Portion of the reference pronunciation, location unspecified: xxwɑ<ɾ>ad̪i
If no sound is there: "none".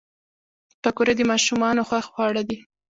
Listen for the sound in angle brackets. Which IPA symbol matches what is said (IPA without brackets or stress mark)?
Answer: ɽ